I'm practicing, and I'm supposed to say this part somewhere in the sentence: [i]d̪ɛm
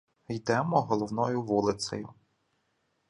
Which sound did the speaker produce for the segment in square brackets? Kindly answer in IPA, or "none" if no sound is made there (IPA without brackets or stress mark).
j